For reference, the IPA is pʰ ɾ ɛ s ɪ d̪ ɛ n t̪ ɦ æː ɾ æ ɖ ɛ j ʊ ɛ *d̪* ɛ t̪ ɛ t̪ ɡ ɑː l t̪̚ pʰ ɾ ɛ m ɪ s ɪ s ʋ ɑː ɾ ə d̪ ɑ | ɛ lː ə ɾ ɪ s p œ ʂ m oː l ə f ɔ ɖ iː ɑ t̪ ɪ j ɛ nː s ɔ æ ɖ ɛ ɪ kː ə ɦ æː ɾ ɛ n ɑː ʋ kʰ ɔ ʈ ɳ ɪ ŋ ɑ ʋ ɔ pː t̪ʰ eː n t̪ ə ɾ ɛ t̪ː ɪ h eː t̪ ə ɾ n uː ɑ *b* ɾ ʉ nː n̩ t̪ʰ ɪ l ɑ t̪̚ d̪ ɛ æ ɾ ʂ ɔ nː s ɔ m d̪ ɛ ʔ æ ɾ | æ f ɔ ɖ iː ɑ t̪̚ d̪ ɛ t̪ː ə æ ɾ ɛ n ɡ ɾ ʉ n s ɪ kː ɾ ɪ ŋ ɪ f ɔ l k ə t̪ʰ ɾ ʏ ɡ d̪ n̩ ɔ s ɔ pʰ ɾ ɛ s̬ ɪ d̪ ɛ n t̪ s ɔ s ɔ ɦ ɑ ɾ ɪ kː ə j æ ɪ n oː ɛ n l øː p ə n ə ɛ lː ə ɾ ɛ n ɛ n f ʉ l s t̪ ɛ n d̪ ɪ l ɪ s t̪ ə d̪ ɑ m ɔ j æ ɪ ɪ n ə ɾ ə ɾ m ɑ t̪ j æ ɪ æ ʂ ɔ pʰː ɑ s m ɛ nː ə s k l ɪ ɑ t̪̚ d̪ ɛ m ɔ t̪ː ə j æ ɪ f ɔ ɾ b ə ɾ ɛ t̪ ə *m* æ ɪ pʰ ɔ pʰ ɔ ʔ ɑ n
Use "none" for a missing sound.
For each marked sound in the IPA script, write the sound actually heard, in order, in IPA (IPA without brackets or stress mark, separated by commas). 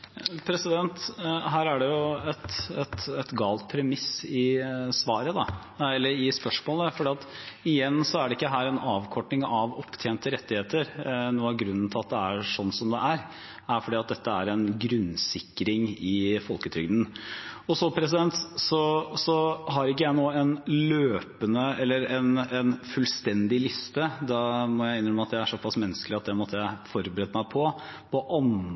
t̪, ɡ, m